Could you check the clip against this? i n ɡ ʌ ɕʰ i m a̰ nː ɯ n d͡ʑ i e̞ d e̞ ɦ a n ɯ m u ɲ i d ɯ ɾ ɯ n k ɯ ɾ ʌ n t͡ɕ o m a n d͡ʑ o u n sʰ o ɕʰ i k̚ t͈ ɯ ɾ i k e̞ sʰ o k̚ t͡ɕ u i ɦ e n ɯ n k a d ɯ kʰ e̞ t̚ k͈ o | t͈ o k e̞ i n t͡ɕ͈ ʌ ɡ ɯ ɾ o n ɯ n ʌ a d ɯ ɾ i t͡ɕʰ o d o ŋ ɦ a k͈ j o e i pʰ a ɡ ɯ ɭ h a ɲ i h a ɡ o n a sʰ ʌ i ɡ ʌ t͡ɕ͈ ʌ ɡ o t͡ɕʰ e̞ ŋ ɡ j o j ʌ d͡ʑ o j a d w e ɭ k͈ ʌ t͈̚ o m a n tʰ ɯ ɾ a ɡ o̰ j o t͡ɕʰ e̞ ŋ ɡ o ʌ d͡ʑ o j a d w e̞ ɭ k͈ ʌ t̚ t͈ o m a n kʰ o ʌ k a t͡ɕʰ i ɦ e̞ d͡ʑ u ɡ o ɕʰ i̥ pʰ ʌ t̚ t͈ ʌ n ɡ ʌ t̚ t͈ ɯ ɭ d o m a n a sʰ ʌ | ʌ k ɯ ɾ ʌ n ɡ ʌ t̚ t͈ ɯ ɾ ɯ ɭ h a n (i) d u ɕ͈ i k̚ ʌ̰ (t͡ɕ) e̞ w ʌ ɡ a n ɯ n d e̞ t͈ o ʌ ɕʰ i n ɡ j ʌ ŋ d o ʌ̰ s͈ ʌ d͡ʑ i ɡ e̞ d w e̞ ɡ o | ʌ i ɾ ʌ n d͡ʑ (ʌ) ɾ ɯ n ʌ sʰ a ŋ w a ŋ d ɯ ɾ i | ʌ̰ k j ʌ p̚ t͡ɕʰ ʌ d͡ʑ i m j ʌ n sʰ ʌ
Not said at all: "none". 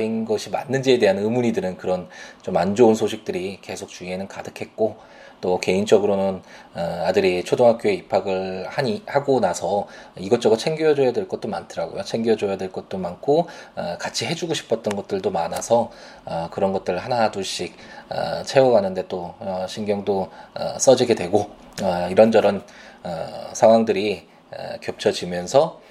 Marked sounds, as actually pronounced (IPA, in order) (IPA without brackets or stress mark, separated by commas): a, t͡ɕʰ, ʌ